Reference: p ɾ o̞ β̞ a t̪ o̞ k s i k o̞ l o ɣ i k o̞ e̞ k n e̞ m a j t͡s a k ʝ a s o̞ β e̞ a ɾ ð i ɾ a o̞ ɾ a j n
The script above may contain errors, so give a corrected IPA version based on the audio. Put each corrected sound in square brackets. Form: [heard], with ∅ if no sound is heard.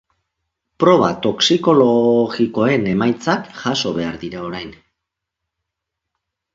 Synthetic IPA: p ɾ o̞ β̞ a t̪ o̞ k s i k o̞ l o ɣ i k o̞ e̞ [∅] n e̞ m a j t͡s a k ʝ a s o̞ β e̞ a ɾ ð i ɾ a o̞ ɾ a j n